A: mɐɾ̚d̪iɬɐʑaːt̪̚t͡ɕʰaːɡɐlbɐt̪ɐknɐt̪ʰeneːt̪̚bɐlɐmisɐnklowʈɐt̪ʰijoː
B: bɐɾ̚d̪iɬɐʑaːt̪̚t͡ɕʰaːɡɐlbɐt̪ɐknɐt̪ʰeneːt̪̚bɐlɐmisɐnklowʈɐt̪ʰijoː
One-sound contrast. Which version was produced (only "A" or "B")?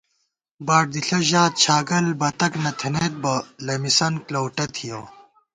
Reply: B